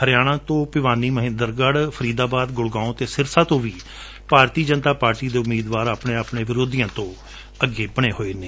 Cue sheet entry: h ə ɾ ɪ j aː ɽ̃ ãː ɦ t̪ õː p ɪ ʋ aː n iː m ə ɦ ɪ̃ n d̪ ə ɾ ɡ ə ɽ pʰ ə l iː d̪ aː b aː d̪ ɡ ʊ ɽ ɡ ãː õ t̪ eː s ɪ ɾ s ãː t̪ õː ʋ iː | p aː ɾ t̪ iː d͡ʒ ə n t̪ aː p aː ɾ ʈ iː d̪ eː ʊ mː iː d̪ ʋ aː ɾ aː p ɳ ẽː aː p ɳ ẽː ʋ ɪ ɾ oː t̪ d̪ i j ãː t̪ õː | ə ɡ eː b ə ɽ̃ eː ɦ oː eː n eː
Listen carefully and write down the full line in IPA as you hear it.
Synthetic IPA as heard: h ə ɾ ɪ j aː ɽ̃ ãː t̪ õː p ɪ ʋ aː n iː m ə ɦ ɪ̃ n d̪ ə ɾ ɡ ə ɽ pʰ ə ɾ iː d̪ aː b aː d̪ ɡ ʊ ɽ ɡ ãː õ t̪ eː s ɪ ɾ s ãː t̪ õː ʋ iː | p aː ɾ t̪ iː d͡ʒ ə n t̪ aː p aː ɾ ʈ iː d̪ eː ʊ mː iː d̪ ʋ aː ɾ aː p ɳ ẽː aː p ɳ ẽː ʋ ɪ ɾ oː d̪ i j ãː t̪ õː | ə ɡ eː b ə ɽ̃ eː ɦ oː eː n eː